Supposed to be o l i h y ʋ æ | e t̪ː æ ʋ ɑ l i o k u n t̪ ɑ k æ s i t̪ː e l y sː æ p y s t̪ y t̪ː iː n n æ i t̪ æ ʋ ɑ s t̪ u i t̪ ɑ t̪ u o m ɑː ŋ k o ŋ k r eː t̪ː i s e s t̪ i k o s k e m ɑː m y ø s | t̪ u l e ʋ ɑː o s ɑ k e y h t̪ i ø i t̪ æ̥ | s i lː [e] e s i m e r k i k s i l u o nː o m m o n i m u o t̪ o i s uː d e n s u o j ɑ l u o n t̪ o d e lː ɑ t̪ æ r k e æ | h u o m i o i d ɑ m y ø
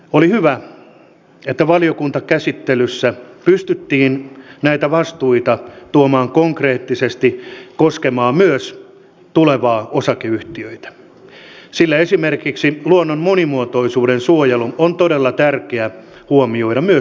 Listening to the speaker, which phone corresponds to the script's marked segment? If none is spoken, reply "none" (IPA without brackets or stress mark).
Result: æ